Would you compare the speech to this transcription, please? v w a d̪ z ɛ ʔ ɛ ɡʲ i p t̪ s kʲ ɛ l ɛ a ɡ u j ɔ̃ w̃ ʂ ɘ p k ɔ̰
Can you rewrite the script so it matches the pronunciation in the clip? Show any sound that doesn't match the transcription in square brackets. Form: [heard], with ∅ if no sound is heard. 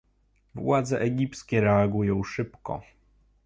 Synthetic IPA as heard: v w a d̪ z ɛ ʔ ɛ ɡʲ i p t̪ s kʲ ɛ [ɾ] ɛ a ɡ u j ɔ̃ w̃ ʂ ɘ p k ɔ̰